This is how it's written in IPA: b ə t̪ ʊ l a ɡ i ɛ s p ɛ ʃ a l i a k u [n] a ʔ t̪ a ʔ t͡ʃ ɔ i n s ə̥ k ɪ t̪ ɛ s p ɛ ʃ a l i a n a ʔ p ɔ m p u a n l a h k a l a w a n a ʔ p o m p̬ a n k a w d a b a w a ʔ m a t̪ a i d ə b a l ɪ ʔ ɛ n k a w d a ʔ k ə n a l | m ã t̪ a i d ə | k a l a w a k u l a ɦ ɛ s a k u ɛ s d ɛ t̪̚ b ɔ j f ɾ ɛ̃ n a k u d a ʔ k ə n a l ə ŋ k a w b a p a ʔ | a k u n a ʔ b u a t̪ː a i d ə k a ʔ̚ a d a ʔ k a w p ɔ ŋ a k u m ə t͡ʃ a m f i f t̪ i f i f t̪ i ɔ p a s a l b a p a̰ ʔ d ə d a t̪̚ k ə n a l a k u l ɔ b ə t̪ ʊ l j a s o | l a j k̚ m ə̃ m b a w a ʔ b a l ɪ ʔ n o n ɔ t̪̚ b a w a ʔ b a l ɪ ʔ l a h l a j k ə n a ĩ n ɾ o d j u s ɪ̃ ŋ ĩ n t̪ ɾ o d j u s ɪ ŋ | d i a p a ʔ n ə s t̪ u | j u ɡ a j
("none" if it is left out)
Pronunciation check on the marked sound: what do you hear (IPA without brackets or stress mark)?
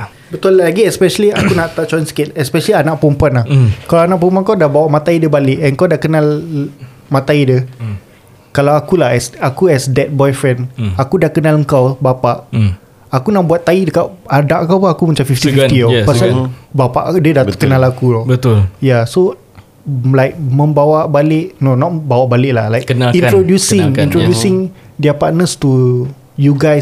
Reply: n